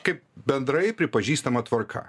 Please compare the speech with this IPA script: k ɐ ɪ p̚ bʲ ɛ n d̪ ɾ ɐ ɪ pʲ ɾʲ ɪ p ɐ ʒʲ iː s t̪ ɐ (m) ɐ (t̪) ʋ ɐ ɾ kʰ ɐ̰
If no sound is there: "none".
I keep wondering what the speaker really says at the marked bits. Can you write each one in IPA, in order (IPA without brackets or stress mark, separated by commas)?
m, t̪